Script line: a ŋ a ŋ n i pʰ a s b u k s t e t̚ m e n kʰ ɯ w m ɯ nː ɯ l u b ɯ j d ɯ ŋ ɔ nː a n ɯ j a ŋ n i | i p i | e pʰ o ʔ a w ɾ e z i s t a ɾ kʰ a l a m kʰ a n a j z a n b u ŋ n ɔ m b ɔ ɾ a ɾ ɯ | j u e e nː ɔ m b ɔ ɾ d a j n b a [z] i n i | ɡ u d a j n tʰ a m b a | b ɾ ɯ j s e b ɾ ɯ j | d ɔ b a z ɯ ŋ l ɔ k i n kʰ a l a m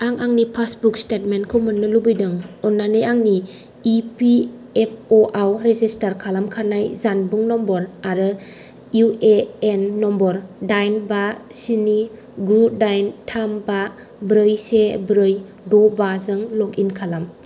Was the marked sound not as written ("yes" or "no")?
yes